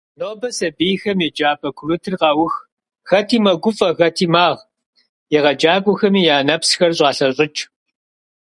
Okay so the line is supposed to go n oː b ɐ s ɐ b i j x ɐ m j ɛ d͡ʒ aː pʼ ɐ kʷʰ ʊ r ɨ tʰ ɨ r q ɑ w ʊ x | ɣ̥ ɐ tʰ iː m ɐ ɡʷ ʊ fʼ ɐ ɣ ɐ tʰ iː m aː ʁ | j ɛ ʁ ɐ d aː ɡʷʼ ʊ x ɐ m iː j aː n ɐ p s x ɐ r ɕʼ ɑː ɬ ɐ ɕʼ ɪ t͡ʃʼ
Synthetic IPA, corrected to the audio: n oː b ɐ s ɐ b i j x ɐ m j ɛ d͡ʒ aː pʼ ɐ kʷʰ ʊ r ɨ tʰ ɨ r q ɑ w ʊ x | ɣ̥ ɐ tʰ iː m ɐ ɡʷ ʊ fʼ ɐ ɣ ɐ tʰ iː m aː ʁ | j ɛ ʁ ɐ d͡ʒ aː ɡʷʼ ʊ x ɐ m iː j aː n ɐ p s x ɐ r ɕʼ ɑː ɬ ɐ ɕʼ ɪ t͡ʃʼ